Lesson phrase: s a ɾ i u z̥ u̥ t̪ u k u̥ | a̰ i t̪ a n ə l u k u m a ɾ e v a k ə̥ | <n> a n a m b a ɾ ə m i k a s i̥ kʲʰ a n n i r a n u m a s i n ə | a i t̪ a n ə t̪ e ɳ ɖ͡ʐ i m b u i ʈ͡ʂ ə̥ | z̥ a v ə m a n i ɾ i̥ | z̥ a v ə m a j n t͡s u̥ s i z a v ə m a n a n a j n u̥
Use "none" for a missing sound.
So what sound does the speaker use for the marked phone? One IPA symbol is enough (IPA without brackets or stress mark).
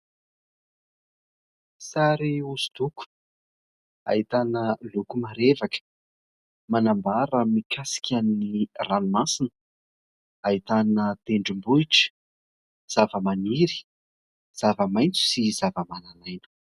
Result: m